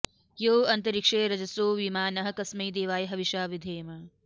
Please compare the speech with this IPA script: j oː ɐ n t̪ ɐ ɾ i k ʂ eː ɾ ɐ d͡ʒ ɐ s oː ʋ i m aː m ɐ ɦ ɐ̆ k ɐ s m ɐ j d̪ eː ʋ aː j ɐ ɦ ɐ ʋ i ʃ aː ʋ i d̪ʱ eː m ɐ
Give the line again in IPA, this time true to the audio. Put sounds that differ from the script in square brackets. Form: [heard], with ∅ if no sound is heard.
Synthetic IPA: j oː ɐ n t̪ ɐ ɾ i k ʂ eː ɾ ɐ d͡ʒ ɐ s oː ʋ i m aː [n] ɐ ɦ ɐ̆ k ɐ s m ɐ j d̪ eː ʋ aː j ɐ ɦ ɐ ʋ i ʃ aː ʋ i d̪ʱ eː m ɐ